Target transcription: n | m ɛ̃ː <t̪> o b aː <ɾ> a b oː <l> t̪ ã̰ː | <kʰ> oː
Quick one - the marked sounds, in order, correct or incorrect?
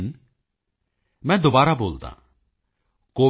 incorrect, correct, correct, incorrect

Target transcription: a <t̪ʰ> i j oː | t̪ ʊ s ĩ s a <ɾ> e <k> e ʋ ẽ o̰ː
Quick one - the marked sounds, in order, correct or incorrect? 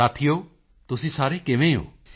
correct, correct, correct

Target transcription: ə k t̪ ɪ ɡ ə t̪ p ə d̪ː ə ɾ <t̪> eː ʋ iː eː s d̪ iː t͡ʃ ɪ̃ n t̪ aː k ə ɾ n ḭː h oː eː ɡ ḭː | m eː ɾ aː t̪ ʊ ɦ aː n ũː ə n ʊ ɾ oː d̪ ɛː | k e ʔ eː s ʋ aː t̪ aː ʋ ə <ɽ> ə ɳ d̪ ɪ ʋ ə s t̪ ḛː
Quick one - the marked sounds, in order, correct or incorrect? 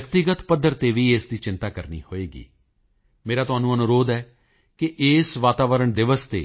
correct, incorrect

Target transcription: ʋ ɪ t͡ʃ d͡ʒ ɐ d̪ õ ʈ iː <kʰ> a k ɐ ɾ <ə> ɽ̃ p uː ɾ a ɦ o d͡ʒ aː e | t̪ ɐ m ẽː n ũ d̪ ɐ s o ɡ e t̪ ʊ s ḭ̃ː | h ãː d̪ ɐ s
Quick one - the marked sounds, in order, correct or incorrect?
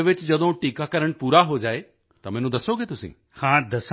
incorrect, correct

